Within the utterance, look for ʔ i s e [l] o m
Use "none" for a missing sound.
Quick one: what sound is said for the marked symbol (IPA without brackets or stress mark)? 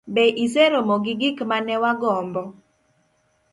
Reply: ɾ